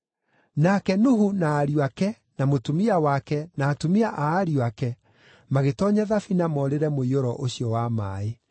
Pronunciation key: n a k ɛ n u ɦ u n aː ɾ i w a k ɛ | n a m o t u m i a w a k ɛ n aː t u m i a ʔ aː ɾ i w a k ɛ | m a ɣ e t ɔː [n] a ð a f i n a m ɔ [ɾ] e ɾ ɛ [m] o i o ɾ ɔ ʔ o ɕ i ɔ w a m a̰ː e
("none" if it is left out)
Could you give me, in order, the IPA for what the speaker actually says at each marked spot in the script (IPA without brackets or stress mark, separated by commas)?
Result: ɲ, ɾ, m